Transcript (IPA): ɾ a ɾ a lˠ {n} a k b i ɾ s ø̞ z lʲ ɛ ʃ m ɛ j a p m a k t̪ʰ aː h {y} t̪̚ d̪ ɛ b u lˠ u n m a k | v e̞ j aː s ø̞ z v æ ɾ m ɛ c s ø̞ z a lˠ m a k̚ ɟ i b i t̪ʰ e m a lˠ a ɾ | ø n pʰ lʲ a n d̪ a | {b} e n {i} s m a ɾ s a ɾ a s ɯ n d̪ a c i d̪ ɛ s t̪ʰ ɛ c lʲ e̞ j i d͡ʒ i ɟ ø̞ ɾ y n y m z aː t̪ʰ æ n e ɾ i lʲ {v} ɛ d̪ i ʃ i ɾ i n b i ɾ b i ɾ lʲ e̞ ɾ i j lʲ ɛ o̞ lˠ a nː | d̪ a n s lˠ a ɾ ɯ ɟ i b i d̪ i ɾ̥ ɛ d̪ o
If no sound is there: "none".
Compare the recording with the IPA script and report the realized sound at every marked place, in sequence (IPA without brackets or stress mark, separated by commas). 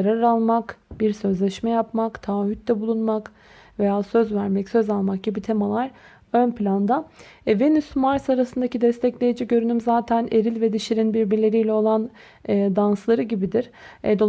m, y, v, y, v